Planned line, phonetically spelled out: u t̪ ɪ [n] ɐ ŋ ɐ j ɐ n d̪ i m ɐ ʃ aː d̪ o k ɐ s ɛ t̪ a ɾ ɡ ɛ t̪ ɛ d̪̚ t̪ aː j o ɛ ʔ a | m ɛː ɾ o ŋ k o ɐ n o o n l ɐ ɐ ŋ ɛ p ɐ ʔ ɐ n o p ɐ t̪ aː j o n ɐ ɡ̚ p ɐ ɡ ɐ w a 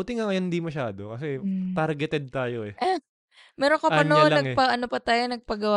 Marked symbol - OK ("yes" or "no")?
no